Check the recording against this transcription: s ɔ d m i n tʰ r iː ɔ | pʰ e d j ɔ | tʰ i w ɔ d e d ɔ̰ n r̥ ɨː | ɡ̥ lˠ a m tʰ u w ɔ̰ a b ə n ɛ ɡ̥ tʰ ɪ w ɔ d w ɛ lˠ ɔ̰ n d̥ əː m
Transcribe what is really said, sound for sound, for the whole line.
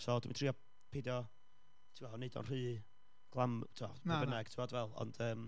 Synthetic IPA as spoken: s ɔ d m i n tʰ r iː ɔ | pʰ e d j ɔ | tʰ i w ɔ n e d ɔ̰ n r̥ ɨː | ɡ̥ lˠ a m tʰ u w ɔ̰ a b ə n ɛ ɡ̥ tʰ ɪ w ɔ d v ɛ lˠ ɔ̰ n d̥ əː m